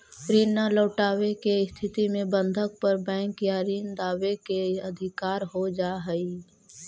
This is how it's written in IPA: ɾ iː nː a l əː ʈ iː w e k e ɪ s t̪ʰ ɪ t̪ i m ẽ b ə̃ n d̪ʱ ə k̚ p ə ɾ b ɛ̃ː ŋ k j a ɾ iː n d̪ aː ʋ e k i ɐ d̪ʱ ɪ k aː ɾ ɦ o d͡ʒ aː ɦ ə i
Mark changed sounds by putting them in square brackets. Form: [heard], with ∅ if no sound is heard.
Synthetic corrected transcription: ɾ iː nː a l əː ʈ [aː] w e k e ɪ s t̪ʰ ɪ t̪ i m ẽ b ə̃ n d̪ʱ ə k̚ p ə ɾ b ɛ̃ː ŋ k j a ɾ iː n d̪ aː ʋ e k [e] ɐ d̪ʱ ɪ k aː ɾ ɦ o d͡ʒ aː ɦ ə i